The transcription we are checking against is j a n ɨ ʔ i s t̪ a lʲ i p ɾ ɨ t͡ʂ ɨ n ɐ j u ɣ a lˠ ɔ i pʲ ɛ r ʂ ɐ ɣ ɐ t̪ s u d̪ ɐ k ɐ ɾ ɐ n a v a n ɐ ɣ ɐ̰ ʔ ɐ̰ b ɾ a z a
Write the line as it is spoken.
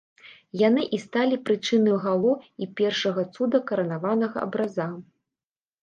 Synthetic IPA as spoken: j a n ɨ ʔ i s t̪ a lʲ i p ɾ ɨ t͡ʂ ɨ n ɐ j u ɣ a lˠ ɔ i pʲ ɛ r ʂ ɐ ɣ ɐ t̪ s u d̪ ɐ k ɐ ɾ ɐ n a v a n ɐ ɣ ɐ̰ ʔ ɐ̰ b ɾ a z a